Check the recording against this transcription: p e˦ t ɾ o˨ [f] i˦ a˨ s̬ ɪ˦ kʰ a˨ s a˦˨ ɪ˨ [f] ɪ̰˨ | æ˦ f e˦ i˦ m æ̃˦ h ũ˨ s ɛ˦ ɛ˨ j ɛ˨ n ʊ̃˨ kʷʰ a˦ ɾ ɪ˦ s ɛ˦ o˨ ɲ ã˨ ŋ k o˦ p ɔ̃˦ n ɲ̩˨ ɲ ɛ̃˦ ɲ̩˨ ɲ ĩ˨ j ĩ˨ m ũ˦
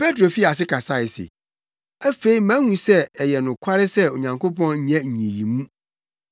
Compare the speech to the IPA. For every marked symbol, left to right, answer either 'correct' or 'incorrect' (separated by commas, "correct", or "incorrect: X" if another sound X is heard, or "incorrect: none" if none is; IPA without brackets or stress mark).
correct, incorrect: s